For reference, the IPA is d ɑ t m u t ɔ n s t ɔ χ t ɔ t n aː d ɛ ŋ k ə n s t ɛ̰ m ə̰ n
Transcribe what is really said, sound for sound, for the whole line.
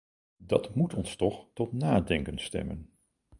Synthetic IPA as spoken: d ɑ t m u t ɔ n s t ɔ χ t ɔ t n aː d ɛ ŋ k ə n s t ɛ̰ m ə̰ n